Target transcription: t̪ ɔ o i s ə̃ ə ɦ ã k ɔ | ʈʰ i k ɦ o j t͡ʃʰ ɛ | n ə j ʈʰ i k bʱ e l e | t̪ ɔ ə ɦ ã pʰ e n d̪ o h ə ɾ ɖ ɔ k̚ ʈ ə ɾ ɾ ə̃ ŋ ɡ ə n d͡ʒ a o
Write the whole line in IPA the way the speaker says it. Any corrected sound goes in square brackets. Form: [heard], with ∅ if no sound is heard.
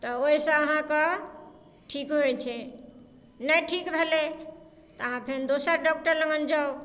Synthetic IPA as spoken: t̪ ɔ o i s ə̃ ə ɦ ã k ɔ | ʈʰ i k ɦ o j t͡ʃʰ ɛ | n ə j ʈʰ i k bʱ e l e | t̪ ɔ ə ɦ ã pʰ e n d̪ o [s] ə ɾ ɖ ɔ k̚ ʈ ə ɾ [l] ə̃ ŋ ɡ ə n d͡ʒ a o